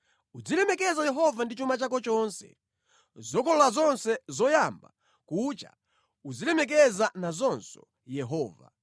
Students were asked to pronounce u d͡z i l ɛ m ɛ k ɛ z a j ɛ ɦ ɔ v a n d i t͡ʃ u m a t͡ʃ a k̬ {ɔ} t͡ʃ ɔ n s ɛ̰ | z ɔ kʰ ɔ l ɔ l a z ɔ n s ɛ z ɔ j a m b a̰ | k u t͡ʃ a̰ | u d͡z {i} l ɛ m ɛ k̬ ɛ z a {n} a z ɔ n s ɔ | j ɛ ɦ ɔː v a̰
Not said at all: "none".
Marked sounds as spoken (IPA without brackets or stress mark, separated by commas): ɔ, i, n